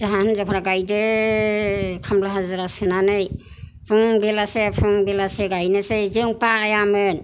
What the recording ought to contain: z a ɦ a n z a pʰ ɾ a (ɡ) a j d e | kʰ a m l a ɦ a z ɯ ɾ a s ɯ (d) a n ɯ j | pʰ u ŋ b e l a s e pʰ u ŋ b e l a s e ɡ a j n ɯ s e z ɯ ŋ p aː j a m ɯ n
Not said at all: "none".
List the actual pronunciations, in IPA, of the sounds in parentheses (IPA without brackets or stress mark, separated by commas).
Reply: ɡ, n